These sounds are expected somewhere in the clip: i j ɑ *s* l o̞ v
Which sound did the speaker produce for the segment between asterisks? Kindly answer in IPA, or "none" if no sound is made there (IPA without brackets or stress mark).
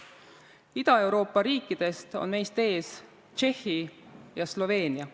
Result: s